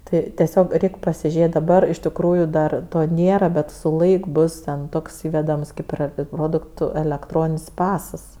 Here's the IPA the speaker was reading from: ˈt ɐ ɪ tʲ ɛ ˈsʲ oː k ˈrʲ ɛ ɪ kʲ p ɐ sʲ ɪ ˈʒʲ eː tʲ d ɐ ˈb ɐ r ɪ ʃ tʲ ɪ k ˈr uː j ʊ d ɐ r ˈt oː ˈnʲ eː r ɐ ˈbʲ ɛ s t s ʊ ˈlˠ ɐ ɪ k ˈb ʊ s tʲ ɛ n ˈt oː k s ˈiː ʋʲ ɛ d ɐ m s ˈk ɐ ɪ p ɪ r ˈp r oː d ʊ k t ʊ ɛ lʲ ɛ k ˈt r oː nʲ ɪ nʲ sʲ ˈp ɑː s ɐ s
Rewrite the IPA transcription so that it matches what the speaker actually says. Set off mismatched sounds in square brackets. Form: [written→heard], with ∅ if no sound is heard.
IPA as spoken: ˈt ɐ ɪ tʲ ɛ ˈsʲ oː k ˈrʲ ɛ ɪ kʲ p ɐ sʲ ɪ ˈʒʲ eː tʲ d ɐ ˈb ɐ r ɪ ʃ tʲ ɪ k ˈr uː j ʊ d ɐ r ˈt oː ˈnʲ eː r ɐ ˈbʲ ɛ [s→∅] t s ʊ ˈlˠ ɐ ɪ k ˈb ʊ s tʲ ɛ n ˈt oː k s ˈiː ʋʲ ɛ d ɐ m s ˈk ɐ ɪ p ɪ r ˈp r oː d ʊ k t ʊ ɛ lʲ ɛ k ˈt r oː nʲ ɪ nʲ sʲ ˈp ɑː s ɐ s